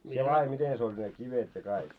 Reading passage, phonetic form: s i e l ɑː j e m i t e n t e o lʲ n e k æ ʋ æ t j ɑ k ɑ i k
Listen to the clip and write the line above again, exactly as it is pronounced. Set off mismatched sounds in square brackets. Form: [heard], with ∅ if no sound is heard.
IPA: s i e l ɑː j e m i t e n [s] e o lʲ n e k [i] ʋ [e] t j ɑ k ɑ i k